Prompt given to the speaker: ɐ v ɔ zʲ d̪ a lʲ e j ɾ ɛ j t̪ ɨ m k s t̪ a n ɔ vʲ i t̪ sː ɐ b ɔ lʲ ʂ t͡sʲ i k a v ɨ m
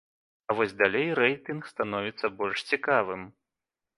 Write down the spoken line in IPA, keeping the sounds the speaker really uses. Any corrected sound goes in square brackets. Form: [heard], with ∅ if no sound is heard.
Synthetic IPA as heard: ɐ v ɔ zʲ d̪ a lʲ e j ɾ ɛ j t̪ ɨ [n] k s t̪ a n ɔ vʲ i t̪ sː ɐ b ɔ lʲ ʂ t͡sʲ i k a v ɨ m